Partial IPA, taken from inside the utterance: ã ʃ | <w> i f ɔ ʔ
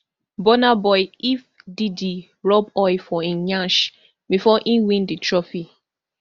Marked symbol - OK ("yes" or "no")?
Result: no